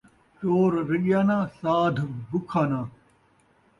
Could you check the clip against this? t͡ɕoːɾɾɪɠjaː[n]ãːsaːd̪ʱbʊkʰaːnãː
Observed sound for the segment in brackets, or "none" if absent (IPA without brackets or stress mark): n